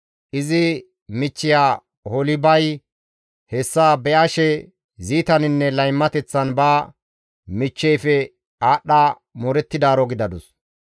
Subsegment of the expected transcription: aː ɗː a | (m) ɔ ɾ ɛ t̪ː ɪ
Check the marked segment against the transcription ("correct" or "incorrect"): correct